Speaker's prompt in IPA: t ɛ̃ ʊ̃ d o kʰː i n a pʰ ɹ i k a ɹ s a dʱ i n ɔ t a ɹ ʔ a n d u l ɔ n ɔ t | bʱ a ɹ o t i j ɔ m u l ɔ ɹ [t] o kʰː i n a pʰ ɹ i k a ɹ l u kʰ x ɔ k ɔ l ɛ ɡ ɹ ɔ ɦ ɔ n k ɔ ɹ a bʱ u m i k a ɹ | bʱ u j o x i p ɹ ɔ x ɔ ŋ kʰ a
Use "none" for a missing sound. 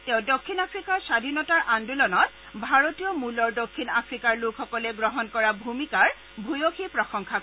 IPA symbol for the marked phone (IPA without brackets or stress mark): d